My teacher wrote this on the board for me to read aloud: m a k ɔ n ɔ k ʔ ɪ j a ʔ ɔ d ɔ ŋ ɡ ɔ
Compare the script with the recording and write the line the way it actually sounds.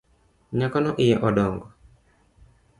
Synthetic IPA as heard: ɲ a k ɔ n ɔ ʔ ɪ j ɛ ʔ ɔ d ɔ ŋ ɡ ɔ